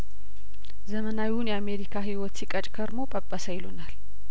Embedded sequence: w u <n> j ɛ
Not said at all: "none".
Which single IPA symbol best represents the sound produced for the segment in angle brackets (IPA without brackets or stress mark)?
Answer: n